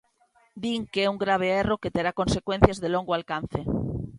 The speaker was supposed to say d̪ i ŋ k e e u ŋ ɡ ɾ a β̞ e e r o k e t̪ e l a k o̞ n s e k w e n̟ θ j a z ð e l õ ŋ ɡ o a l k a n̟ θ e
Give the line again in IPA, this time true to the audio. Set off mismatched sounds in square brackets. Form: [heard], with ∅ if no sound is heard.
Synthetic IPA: d̪ i ŋ k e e u ŋ ɡ ɾ a β̞ e e r o k e t̪ e [ɾ] a k o̞ n s e k w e n̟ θ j a z ð e l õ ŋ ɡ o a l k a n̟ θ e